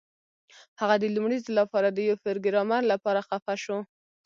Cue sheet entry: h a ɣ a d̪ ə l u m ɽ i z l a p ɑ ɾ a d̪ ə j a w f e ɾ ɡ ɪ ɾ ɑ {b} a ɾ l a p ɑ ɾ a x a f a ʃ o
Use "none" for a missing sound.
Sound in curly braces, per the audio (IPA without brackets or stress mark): m